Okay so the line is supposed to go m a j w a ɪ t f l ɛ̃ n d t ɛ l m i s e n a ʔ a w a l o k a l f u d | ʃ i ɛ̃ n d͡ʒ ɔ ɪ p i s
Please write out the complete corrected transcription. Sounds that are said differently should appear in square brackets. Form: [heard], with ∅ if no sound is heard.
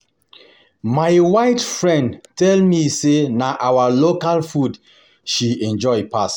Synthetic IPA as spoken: m a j w a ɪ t f [ɹ] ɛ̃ n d t ɛ l m i s e n a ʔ a w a l o k a l f u d | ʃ i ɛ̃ n d͡ʒ ɔ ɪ p [a] s